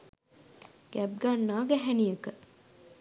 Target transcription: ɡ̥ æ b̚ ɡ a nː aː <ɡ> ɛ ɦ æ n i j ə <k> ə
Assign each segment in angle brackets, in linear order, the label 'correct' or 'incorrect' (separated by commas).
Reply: correct, correct